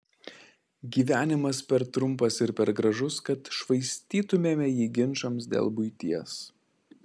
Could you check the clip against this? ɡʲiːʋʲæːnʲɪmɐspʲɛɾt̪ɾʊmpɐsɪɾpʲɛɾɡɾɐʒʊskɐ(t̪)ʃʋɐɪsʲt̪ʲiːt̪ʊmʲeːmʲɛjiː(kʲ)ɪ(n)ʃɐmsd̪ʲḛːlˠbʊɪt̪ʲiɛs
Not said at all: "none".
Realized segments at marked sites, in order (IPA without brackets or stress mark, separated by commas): t̪, ɡʲ, n